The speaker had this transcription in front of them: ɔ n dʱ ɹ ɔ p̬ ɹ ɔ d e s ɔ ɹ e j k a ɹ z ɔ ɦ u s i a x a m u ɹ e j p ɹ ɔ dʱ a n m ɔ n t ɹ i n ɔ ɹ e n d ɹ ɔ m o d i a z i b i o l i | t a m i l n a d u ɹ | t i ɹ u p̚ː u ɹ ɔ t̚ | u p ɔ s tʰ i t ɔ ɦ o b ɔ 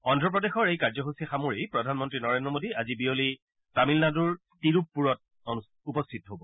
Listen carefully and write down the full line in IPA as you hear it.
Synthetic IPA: ɔ n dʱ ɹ ɔ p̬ ɹ ɔ d e x ɔ ɹ e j k a ɹ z ɔ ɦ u s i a x a m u ɹ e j p ɹ ɔ dʱ a n m ɔ n t ɹ i n ɔ ɹ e n d ɹ ɔ m o d i a z i b i o l i | t a m i l n a d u ɹ | t i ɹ u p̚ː u ɹ ɔ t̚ | u p ɔ s tʰ i t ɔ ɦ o b ɔ